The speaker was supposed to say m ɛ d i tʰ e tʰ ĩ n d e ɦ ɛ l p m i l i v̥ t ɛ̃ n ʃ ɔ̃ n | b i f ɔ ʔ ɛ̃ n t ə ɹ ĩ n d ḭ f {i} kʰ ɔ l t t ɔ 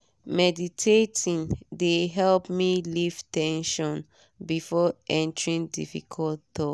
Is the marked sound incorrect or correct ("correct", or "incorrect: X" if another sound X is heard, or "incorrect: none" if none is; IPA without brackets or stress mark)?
correct